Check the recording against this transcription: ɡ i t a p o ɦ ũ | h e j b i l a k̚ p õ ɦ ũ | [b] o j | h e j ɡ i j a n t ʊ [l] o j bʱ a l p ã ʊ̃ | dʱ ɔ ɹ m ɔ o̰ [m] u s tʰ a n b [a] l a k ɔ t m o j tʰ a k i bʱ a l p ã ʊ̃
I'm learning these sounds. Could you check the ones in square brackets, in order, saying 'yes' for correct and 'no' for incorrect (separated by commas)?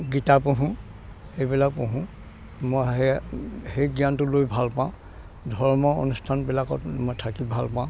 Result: no, yes, no, no